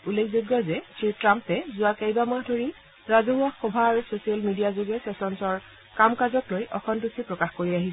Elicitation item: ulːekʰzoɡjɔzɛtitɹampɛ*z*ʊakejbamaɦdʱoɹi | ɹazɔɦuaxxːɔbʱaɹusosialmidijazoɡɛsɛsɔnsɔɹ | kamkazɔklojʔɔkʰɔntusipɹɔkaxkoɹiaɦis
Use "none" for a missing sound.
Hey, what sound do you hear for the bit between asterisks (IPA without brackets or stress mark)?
z